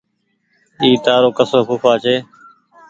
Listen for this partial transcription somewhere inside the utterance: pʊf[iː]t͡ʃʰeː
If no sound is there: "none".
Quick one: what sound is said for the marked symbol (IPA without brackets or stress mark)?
aː